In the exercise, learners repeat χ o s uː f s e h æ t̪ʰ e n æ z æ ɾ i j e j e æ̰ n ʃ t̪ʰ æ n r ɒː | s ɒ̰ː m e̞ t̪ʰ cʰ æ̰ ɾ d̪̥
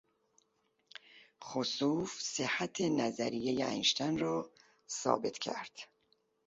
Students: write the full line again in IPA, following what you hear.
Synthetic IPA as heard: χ o s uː f s e h æ t̪ʰ e n æ z æ ɾ i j e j e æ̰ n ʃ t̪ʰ æ n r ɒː | s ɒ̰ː b e̞ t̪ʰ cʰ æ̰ ɾ d̪̥